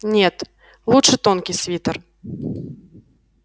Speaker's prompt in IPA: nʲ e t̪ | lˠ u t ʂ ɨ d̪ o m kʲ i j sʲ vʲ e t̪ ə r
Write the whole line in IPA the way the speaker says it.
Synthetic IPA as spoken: nʲ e t̪ | lˠ u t ʂ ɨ t̪ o n kʲ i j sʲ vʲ i t̪ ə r